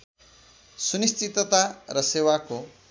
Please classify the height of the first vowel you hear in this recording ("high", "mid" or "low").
high